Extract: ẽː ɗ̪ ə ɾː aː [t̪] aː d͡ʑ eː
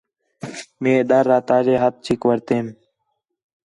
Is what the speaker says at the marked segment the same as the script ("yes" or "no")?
yes